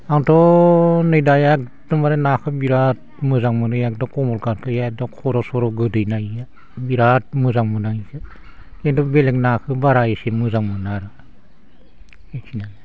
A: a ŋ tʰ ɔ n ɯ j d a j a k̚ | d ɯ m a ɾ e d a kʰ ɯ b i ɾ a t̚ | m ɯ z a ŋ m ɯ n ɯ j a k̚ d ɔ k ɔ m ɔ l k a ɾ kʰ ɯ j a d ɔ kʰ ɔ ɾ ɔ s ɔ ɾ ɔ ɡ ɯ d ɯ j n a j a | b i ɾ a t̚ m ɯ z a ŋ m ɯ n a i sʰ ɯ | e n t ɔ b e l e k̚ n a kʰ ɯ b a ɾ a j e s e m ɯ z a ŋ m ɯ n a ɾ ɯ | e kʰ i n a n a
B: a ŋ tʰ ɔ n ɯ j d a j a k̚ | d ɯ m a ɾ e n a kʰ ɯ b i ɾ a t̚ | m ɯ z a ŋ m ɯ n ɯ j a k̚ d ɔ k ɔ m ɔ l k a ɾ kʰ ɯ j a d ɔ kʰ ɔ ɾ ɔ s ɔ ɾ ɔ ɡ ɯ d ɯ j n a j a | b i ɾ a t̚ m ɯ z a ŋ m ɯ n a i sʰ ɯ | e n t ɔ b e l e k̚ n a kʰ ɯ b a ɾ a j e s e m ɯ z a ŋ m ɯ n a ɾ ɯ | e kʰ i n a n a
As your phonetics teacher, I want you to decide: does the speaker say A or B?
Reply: B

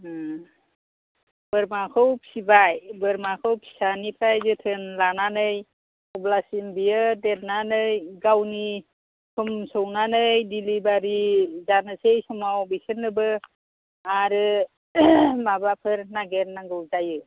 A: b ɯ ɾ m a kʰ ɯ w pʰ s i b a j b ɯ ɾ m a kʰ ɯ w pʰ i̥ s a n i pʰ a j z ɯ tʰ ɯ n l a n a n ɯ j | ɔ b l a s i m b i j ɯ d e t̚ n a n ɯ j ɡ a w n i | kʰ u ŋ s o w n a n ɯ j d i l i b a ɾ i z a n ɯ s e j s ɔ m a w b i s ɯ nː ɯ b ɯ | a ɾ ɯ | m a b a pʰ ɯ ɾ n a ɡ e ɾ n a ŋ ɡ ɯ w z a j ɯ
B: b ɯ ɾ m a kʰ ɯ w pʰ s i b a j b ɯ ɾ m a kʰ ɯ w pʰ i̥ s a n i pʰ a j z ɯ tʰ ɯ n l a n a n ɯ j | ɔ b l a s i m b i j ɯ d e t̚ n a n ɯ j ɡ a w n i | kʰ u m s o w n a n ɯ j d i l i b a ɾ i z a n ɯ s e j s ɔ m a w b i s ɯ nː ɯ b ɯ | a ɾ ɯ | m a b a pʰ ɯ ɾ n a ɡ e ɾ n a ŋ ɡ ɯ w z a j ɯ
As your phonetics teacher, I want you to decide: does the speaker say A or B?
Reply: B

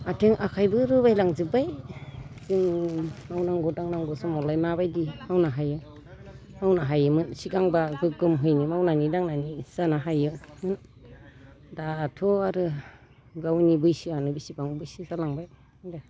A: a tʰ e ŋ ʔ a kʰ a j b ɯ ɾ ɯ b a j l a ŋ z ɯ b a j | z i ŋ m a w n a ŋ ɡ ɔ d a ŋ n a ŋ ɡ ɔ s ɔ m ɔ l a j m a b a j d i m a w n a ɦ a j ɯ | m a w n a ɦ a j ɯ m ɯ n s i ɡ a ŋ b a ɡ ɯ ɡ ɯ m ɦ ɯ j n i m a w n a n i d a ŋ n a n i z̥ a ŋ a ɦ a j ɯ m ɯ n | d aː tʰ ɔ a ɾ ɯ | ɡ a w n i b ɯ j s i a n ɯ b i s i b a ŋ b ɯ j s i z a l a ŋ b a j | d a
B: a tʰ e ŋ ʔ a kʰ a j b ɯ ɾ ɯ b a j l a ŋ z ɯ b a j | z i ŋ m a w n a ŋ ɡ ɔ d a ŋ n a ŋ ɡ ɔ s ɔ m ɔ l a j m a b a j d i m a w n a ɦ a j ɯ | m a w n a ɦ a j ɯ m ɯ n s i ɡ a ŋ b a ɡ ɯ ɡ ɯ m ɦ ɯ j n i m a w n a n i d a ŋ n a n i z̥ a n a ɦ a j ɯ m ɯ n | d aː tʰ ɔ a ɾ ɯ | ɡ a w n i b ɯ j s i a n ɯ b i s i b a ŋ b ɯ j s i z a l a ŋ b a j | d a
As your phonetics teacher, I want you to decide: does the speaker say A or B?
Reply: B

